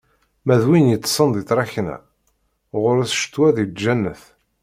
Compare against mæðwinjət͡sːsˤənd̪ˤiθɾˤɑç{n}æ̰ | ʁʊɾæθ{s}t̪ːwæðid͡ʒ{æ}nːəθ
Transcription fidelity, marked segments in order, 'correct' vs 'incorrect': correct, incorrect, correct

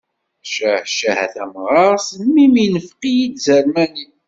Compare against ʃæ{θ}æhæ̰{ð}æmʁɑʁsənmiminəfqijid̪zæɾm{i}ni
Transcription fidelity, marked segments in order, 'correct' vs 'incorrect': incorrect, incorrect, incorrect

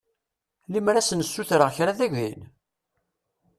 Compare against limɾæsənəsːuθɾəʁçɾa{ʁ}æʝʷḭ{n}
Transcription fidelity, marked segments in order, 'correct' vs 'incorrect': incorrect, correct

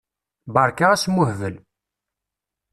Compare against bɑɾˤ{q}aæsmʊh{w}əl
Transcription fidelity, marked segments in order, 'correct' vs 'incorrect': incorrect, incorrect

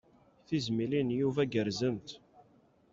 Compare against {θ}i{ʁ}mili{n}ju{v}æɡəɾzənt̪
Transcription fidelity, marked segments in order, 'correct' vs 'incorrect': correct, incorrect, correct, correct

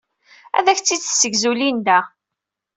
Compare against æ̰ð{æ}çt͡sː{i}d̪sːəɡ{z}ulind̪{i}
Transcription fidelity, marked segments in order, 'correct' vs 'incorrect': correct, correct, correct, incorrect

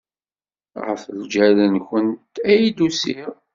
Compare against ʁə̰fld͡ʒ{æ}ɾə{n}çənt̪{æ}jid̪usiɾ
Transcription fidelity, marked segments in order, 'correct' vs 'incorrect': correct, correct, correct

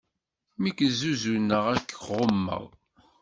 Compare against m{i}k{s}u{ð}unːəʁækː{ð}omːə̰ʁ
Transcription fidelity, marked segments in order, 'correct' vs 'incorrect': correct, incorrect, incorrect, incorrect

